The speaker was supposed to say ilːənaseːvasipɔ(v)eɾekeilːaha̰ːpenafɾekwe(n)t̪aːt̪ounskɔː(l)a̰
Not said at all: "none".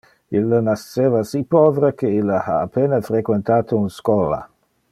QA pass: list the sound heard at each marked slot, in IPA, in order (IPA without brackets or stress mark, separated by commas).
v, n, l